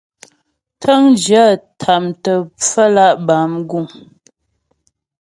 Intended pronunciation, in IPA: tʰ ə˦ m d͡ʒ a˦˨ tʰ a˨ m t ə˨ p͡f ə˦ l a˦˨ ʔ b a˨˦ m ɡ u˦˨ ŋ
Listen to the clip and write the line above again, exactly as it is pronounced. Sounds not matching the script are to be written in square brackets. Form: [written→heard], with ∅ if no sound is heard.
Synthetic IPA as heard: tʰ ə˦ [m→ŋ] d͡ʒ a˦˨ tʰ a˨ m t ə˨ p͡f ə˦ l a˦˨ ʔ b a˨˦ m ɡ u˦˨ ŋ